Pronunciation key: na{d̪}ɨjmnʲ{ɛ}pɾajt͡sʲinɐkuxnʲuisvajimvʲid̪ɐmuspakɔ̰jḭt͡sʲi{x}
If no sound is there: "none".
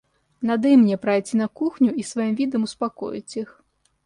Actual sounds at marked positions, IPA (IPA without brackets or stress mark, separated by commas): d̪, ɛ, x